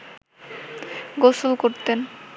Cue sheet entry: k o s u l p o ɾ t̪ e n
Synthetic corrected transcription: ɡ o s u l k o ɾ t̪ e n